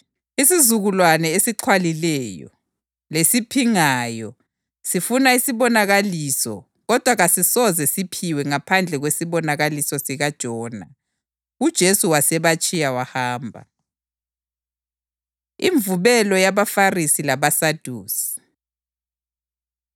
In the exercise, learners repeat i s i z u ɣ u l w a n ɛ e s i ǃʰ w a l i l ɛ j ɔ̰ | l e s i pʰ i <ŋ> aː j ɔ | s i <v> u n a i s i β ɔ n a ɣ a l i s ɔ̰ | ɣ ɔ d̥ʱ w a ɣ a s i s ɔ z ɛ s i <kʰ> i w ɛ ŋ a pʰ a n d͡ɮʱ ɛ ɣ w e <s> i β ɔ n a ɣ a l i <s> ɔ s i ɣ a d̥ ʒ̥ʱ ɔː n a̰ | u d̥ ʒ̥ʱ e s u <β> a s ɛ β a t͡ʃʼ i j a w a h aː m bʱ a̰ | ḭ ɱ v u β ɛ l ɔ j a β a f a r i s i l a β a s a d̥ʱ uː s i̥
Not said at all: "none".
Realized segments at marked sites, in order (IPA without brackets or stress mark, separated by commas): ŋ, f, pʰ, s, s, w